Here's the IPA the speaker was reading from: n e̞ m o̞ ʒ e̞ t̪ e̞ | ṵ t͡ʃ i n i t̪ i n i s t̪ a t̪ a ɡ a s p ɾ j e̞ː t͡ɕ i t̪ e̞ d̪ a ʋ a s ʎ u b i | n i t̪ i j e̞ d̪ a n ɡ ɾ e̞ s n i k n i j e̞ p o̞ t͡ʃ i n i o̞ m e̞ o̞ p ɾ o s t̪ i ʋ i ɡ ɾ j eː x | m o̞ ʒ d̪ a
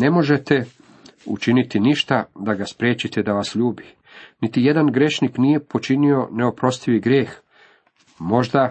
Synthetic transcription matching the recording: n e̞ m o̞ ʒ e̞ t̪ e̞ | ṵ t͡ʃ i n i t̪ i n i ʃ t̪ a d̪ a ɡ a s p ɾ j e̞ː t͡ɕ i t̪ e̞ d̪ a ʋ a s ʎ uː b i | n i t̪ i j e̞ d̪ a n ɡ ɾ e̞ ʃ n i k n i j e̞ p o̞ t͡ʃ i n i o̞ n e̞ o̞ p ɾ o s t̪ i ʋ i ɡ ɾ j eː x | m o̞ ʒ d̪ a